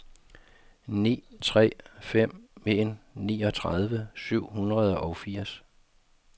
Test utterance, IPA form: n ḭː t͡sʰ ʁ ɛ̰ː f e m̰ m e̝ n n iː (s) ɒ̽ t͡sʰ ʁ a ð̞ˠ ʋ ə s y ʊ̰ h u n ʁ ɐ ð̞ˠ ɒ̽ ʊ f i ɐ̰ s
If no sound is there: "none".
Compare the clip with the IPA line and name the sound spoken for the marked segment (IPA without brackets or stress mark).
none